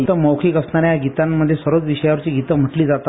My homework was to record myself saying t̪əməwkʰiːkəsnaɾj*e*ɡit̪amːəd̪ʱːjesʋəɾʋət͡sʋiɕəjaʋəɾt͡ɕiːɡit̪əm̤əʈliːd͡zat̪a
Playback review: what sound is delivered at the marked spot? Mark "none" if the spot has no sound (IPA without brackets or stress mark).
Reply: a